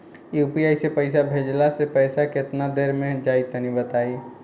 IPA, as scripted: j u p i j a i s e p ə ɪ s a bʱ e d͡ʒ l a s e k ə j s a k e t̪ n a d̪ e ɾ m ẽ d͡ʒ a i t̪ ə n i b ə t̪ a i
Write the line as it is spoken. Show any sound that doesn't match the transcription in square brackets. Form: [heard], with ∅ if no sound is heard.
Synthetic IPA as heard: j u p i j a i s e p ə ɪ s a bʱ e d͡ʒ l a s e [p] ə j s a k e t̪ n a d̪ e ɾ m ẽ d͡ʒ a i t̪ ə n i b ə t̪ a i